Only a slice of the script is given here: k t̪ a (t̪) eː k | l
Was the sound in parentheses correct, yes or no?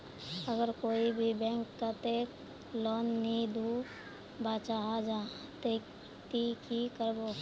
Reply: yes